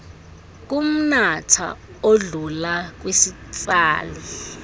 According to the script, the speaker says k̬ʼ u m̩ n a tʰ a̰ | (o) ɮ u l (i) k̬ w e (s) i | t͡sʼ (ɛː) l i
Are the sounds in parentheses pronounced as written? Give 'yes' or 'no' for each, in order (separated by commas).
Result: yes, no, yes, no